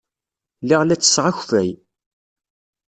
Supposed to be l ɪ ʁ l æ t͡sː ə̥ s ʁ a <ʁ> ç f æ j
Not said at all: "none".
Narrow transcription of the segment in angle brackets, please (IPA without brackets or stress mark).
none